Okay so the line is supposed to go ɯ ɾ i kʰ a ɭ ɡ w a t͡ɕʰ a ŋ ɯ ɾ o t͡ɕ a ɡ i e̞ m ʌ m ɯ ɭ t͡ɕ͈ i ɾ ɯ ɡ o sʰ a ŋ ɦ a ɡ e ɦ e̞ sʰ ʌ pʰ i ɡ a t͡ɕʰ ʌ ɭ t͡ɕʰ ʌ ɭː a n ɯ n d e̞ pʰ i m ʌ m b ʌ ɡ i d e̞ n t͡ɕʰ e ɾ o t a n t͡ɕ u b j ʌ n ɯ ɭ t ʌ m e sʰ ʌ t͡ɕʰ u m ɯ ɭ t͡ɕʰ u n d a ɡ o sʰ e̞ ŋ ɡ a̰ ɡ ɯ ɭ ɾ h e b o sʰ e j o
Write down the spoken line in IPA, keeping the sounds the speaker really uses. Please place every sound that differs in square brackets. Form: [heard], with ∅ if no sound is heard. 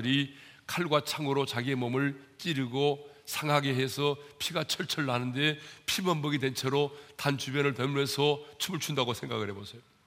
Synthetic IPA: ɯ ɾ i kʰ a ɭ ɡ w a t͡ɕʰ a ŋ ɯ ɾ o t͡ɕ a ɡ i e̞ m ʌ m ɯ ɭ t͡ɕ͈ i ɾ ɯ ɡ o sʰ a ŋ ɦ a ɡ e ɦ e̞ sʰ ʌ pʰ i ɡ a t͡ɕʰ ʌ ɭ t͡ɕʰ ʌ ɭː a n ɯ n d e̞ pʰ i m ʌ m b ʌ ɡ i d e̞ n t͡ɕʰ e ɾ o t a n t͡ɕ u b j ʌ n ɯ ɭ t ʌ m e sʰ ʌ t͡ɕʰ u m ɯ ɭ t͡ɕʰ u n d a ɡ o sʰ e̞ ŋ ɡ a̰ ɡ ɯ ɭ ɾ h e b o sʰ e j o